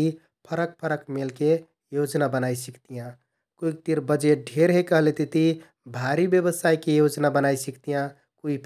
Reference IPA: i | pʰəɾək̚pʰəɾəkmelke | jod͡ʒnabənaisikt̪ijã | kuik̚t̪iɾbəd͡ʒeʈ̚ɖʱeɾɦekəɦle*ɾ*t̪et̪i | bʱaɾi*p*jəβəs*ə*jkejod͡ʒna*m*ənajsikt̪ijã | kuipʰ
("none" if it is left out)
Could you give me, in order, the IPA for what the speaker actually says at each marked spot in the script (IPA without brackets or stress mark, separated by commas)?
none, b, a, b